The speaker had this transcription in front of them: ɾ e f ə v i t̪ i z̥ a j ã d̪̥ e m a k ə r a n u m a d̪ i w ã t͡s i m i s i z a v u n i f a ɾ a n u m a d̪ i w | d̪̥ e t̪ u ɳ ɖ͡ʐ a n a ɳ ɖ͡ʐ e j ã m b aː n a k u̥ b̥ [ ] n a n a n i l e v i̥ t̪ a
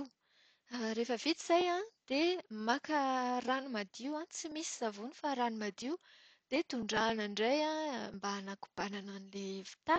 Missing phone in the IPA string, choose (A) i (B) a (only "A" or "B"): B